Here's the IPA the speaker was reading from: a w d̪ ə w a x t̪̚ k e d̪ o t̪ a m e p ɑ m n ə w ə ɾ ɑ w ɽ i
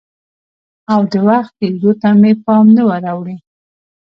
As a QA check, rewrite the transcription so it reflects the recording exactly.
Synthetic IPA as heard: a w d̪ ə w a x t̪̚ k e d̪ o t̪ a m e p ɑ m n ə w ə ɾ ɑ w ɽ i